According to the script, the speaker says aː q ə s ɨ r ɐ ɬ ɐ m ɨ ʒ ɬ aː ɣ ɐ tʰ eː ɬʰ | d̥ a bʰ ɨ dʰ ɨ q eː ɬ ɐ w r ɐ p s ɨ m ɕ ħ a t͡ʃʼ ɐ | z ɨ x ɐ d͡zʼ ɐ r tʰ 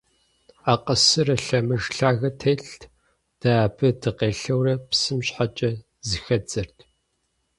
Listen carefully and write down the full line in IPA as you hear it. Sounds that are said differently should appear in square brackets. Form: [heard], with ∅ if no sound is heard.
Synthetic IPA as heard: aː q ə s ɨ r ɐ ɬ ɐ m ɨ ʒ ɬ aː ɣ ɐ tʰ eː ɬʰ | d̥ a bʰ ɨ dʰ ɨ q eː ɬ ɐ w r ɐ p s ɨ m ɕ ħ a t͡ʃʼ ɐ | z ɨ x ɐ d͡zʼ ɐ r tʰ